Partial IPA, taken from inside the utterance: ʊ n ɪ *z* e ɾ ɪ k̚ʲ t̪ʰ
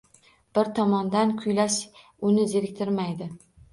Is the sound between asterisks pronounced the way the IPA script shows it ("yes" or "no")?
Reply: yes